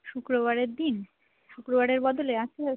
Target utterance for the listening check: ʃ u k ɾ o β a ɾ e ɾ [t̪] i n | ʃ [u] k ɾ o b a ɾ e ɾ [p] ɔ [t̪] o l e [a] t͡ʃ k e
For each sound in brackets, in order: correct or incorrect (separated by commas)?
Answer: incorrect, correct, incorrect, incorrect, correct